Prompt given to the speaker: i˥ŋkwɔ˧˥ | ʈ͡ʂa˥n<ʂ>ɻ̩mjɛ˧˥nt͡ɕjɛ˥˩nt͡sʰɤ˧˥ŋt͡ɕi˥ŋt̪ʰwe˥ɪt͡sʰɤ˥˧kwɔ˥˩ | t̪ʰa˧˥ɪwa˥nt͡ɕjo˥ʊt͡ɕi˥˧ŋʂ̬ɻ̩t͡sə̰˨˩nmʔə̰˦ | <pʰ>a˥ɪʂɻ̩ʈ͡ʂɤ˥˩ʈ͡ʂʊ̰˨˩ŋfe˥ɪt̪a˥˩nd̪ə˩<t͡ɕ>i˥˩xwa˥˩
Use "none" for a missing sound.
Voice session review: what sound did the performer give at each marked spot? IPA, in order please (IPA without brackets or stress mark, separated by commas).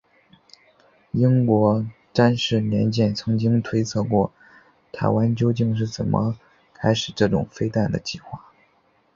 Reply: ʂ, kʰ, t͡ɕ